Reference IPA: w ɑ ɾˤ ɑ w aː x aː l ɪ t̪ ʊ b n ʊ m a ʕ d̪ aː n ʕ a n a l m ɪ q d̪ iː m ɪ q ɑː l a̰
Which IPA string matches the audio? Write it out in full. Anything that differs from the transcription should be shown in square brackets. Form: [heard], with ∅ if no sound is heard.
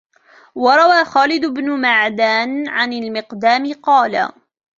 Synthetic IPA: w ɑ ɾˤ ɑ w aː x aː l ɪ [d̪] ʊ b n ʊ m a ʕ d̪ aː n ʕ a n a l m ɪ q d̪ [aː] m ɪ q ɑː l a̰